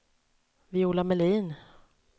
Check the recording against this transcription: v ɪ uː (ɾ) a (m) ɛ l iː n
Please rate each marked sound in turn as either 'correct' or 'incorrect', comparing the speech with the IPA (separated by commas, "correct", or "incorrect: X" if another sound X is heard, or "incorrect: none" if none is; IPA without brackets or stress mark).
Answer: incorrect: l, correct